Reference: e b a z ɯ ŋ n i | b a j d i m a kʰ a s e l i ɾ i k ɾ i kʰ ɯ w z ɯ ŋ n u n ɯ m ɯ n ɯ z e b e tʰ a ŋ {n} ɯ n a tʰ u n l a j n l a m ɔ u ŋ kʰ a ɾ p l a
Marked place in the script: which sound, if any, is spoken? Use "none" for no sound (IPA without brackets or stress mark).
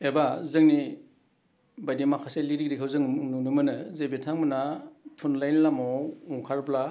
m